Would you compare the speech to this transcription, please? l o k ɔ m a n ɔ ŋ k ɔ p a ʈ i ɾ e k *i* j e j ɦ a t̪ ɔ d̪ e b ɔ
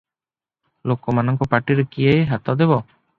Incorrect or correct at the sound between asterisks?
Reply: correct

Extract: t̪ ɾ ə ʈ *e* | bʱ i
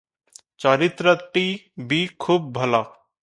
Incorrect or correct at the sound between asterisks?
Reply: incorrect: i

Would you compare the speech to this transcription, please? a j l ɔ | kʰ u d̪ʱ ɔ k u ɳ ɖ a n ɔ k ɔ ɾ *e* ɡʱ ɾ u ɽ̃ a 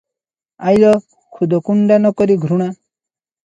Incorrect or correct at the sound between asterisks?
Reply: incorrect: i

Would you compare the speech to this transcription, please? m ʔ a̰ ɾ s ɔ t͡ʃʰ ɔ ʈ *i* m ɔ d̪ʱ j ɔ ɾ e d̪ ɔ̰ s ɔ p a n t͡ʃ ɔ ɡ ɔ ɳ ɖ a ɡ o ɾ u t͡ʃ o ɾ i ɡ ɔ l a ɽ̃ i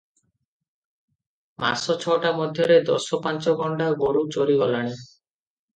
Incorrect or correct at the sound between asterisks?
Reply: incorrect: a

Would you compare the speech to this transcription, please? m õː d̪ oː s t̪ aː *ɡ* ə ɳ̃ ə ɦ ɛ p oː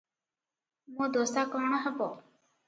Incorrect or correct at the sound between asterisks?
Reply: incorrect: k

